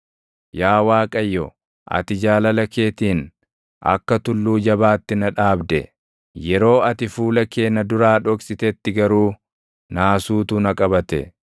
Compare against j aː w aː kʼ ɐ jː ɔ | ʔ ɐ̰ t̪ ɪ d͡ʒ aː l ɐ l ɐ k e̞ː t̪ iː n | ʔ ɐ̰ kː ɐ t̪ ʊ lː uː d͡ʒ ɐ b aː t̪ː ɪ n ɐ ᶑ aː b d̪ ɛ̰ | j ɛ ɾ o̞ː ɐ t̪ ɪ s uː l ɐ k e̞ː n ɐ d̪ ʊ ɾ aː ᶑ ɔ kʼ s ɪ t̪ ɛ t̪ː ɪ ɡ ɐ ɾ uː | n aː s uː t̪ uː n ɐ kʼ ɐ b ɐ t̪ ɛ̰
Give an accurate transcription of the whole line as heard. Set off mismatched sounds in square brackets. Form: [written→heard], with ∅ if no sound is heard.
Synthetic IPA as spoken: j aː w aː kʼ ɐ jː ɔ | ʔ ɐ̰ t̪ ɪ d͡ʒ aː l ɐ l ɐ k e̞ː t̪ iː n | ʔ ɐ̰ kː ɐ t̪ ʊ lː uː d͡ʒ ɐ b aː t̪ː ɪ n ɐ ᶑ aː b d̪ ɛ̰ | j ɛ ɾ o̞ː ɐ t̪ ɪ [s→f] uː l ɐ k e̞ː n ɐ d̪ ʊ ɾ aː ᶑ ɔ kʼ s ɪ t̪ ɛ t̪ː ɪ ɡ ɐ ɾ uː | n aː s uː t̪ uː n ɐ kʼ ɐ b ɐ t̪ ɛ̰

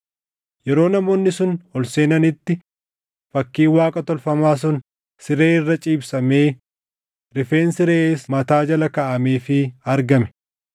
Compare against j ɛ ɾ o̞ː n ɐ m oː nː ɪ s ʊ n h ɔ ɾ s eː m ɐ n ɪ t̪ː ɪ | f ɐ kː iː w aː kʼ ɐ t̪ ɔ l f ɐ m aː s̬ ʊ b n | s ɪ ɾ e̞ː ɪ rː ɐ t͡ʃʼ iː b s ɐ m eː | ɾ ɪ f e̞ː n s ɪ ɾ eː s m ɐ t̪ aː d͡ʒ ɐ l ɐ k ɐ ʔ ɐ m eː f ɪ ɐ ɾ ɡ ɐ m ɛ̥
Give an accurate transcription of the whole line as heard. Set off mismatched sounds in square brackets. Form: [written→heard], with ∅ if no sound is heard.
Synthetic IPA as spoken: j ɛ ɾ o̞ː n ɐ m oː nː ɪ s ʊ n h ɔ [ɾ→l] s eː [m→n] ɐ n ɪ t̪ː ɪ | f ɐ kː iː w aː kʼ ɐ t̪ ɔ l f ɐ m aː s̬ ʊ [b→∅] n | s ɪ ɾ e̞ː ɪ rː ɐ t͡ʃʼ iː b s ɐ m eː | ɾ ɪ f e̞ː n s ɪ ɾ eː s m ɐ t̪ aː d͡ʒ ɐ l ɐ k ɐ ʔ ɐ m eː f ɪ ɐ ɾ ɡ ɐ m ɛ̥

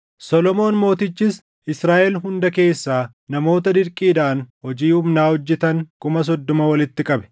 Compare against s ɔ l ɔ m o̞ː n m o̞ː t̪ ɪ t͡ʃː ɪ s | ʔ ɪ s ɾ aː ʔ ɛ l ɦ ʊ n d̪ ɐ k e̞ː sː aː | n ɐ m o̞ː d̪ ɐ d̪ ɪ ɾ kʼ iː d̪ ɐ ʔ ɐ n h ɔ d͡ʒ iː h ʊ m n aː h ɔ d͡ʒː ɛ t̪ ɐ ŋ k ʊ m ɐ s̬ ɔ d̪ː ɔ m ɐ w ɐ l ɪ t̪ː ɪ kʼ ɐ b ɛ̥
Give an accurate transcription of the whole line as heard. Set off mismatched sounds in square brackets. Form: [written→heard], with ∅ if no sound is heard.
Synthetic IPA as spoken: s ɔ l ɔ m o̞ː n m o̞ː t̪ ɪ t͡ʃː ɪ s | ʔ ɪ s ɾ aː ʔ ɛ l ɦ ʊ n d̪ ɐ k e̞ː sː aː | n ɐ m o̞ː [d̪→t̪] ɐ d̪ ɪ ɾ kʼ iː d̪ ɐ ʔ ɐ n h ɔ d͡ʒ iː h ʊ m n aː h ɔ d͡ʒː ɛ t̪ ɐ ŋ k ʊ m ɐ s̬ ɔ d̪ː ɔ m ɐ w ɐ l ɪ t̪ː ɪ kʼ ɐ b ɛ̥

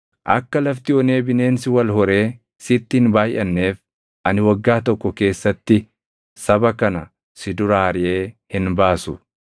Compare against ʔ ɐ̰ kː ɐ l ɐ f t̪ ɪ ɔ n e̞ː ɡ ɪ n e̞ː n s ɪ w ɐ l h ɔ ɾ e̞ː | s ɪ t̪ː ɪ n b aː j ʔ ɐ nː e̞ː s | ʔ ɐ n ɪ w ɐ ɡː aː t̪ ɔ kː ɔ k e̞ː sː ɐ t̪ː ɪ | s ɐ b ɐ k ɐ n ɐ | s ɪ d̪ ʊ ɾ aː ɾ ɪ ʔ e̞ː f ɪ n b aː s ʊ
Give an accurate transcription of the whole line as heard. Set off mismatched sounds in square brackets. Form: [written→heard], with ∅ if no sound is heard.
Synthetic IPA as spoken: ʔ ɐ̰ kː ɐ l ɐ f t̪ ɪ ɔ n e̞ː [ɡ→b] ɪ n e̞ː n s ɪ w ɐ l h ɔ ɾ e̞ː | s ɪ t̪ː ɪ n b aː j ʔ ɐ nː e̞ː [s→f] | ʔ ɐ n ɪ w ɐ ɡː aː t̪ ɔ kː ɔ k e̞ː sː ɐ t̪ː ɪ | s ɐ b ɐ k ɐ n ɐ | s ɪ d̪ ʊ ɾ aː ɾ ɪ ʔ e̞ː [f→h] ɪ n b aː s ʊ

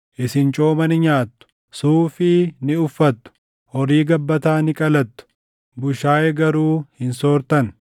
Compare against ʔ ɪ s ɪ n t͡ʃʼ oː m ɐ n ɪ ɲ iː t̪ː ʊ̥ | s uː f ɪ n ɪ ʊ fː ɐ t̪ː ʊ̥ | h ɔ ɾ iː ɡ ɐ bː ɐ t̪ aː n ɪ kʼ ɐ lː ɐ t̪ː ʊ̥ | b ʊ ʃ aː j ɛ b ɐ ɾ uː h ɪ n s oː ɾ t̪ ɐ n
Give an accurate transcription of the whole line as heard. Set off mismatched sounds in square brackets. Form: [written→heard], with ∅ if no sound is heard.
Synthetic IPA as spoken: ʔ ɪ s ɪ n t͡ʃʼ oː m ɐ n ɪ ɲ [iː→aː] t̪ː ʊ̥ | s uː f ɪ n ɪ ʊ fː ɐ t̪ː ʊ̥ | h ɔ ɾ iː ɡ ɐ bː ɐ t̪ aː n ɪ kʼ ɐ [lː→l] ɐ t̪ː ʊ̥ | b ʊ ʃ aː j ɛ [b→ɡ] ɐ ɾ uː h ɪ n s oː ɾ t̪ ɐ n

